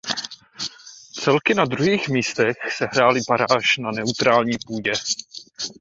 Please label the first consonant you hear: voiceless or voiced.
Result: voiceless